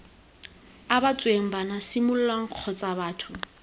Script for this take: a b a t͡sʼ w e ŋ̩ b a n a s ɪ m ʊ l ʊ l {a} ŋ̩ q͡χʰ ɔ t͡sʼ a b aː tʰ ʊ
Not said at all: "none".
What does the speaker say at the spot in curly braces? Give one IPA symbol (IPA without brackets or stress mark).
a